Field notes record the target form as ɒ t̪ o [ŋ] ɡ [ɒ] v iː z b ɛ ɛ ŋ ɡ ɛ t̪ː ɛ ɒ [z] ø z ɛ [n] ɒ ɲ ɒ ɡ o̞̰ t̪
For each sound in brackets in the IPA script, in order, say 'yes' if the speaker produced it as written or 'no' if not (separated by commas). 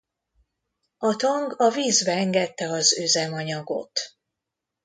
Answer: yes, yes, yes, no